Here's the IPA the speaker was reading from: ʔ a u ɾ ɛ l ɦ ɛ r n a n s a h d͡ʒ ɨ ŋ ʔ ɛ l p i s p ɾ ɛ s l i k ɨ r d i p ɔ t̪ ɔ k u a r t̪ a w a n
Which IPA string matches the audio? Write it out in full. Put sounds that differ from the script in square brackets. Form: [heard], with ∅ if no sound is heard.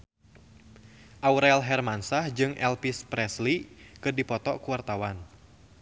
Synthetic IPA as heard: ʔ a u ɾ ɛ l ɦ ɛ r [m] a n s a h d͡ʒ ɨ ŋ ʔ ɛ l p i s p ɾ ɛ s l i k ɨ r d i p ɔ t̪ ɔ k u a r t̪ a w a n

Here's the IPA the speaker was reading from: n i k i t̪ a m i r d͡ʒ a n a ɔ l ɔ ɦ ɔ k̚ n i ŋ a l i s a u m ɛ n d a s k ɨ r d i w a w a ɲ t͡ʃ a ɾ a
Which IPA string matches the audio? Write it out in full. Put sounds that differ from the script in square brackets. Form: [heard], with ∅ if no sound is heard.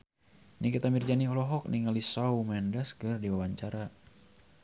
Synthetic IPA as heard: n i k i t̪ a m i r d͡ʒ a n [i] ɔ l ɔ ɦ ɔ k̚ n i ŋ a l i s a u m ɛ n d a s k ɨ r d i w a w a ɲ t͡ʃ a ɾ a

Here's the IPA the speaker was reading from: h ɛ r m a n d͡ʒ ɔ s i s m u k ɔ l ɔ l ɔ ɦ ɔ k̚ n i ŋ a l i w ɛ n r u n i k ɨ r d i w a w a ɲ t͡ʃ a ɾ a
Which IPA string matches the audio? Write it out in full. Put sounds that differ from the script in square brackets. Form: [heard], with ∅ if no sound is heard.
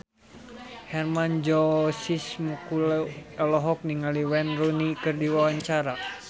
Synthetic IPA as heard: h ɛ r m a n d͡ʒ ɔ s i s m u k [u] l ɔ l ɔ ɦ ɔ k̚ n i ŋ a l i w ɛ n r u n i k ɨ r d i w a w a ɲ t͡ʃ a ɾ a

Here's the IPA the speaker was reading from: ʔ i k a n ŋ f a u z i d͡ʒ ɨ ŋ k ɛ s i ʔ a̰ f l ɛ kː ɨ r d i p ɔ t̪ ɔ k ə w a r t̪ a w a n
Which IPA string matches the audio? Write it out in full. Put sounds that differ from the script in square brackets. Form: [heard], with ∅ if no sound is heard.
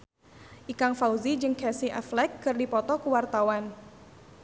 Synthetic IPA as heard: ʔ i k a [∅] ŋ f a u z i d͡ʒ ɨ ŋ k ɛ s i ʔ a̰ f l ɛ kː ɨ r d i p ɔ t̪ ɔ k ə w a r t̪ a w a n

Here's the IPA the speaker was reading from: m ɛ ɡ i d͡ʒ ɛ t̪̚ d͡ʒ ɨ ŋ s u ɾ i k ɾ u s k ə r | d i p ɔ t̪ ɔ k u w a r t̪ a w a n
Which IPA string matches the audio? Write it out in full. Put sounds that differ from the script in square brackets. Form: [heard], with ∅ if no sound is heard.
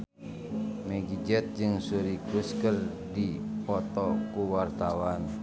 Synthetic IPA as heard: m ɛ ɡ i d͡ʒ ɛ t̪̚ d͡ʒ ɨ ŋ s u ɾ i k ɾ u s k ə r | d i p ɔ t̪ ɔ k u w a r t̪ a w a n

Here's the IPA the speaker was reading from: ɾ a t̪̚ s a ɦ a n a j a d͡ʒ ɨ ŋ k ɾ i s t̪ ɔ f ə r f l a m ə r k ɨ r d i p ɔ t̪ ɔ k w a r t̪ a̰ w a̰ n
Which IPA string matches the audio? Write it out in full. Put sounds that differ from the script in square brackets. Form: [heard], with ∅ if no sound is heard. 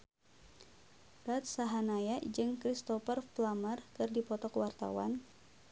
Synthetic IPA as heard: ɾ a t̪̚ s a ɦ a n a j a d͡ʒ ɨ ŋ k ɾ i s t̪ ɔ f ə r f l a m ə r k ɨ r d i p ɔ t̪ ɔ k w a r t̪ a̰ w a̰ n

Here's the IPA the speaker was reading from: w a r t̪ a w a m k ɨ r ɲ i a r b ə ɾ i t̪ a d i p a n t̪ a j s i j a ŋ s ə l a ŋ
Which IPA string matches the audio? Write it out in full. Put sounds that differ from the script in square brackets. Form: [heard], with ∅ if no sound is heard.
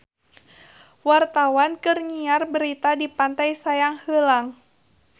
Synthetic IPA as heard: w a r t̪ a w a [n] k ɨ r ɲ i a r b ə ɾ i t̪ a d i p a n t̪ a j s [a] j a ŋ [h] ə l a ŋ

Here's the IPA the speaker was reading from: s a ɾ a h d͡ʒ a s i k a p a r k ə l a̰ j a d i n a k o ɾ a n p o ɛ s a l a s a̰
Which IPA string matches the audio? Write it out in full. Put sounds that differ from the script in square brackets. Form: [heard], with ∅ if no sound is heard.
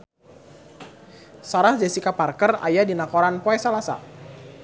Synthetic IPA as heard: s a ɾ a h d͡ʒ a s i k a p a r k ə [r] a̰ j a d i n a k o ɾ a n p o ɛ s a l a s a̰

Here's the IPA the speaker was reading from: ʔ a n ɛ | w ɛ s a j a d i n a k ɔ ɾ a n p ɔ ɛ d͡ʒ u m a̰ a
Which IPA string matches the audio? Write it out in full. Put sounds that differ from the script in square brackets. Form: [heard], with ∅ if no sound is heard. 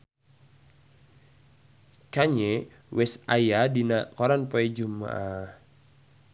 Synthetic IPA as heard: [k] a [ɲ] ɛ | w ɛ s a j a d i n a k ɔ ɾ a n p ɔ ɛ d͡ʒ u m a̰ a

